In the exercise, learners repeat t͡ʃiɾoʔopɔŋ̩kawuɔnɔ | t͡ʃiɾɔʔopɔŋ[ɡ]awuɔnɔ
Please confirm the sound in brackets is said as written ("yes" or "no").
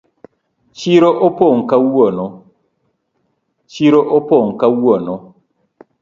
no